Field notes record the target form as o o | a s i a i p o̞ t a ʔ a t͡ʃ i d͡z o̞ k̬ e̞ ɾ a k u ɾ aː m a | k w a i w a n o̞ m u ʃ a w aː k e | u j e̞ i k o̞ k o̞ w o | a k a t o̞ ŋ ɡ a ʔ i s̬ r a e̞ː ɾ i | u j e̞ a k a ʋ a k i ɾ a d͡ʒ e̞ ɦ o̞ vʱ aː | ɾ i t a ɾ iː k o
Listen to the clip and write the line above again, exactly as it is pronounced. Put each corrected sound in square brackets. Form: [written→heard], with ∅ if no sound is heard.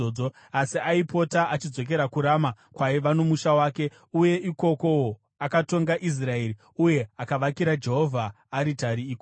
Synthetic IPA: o o | a s i a i p o̞ t a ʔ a t͡ʃ i d͡z o̞ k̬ e̞ ɾ a k u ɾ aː m a | k w a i [w→ʋ] a n o̞ m u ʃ a w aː k e | u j e̞ i k o̞ k o̞ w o | a k a t o̞ ŋ ɡ a ʔ i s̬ r a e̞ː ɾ i | u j e̞ a k a ʋ a k i ɾ a d͡ʒ e̞ ɦ o̞ vʱ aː | ɾ i t a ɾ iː k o